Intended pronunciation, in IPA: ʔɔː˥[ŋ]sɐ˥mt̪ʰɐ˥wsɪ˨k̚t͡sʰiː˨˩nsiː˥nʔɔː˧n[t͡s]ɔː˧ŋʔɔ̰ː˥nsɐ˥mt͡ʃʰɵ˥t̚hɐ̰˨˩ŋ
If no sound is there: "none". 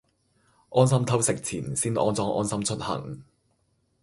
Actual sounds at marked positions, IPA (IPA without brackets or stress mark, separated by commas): n, t͡s